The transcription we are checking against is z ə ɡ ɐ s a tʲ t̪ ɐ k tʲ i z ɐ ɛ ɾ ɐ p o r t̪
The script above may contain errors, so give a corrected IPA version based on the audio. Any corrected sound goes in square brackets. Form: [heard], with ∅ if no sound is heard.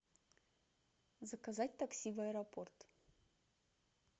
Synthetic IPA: z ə [k] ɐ [z] a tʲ t̪ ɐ k [sʲ] i [v] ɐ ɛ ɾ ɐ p o r t̪